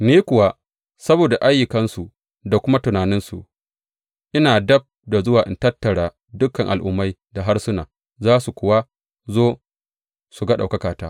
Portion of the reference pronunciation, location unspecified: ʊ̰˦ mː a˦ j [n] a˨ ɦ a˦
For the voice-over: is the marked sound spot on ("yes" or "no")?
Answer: no